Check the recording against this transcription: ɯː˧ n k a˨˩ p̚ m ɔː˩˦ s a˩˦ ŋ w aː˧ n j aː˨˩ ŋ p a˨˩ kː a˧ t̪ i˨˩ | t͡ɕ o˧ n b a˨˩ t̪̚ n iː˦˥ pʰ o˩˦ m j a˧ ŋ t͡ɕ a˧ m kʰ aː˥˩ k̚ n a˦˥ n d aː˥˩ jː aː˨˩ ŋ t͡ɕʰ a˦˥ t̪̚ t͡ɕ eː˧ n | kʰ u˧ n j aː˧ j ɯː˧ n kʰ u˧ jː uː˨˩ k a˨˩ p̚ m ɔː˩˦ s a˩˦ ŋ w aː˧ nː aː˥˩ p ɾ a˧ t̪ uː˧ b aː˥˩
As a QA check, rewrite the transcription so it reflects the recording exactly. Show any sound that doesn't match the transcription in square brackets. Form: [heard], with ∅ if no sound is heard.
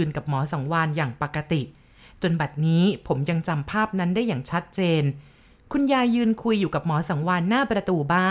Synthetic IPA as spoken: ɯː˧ n k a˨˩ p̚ m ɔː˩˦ s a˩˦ ŋ w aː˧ n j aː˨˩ ŋ p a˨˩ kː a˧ t̪ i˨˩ | t͡ɕ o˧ n b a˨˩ t̪̚ n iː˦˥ pʰ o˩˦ m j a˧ ŋ t͡ɕ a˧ m [pʰ] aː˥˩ [p̚] n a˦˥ n d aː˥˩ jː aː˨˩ ŋ t͡ɕʰ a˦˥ t̪̚ t͡ɕ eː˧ n | kʰ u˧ n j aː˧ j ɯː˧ n kʰ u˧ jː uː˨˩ k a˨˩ p̚ m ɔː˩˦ s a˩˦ ŋ w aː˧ nː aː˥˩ p ɾ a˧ t̪ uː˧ b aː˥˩